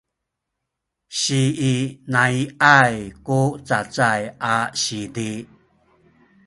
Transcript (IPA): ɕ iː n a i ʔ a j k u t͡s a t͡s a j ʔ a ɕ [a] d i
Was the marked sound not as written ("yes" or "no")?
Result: yes